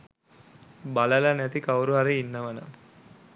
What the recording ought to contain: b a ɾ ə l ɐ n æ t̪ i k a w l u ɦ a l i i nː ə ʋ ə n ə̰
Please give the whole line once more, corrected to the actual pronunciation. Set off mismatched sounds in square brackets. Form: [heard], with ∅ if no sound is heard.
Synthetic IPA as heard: b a [l] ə l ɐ n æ t̪ i k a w [ɾ] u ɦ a [ɾ] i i nː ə ʋ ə n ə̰